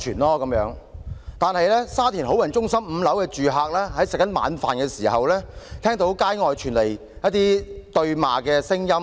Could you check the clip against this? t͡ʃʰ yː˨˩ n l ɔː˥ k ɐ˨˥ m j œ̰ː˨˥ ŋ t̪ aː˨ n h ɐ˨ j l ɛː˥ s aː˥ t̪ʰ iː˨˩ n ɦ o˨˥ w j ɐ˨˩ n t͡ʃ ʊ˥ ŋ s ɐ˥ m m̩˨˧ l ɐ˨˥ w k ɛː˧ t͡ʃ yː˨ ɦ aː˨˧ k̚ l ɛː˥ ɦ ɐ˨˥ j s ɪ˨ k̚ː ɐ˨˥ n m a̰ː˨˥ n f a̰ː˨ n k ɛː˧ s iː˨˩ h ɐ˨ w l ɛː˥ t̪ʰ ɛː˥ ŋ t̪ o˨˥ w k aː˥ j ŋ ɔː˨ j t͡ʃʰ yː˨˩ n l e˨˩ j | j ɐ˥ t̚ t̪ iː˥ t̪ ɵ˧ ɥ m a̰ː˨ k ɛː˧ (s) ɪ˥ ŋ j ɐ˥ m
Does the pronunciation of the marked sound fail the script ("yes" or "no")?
no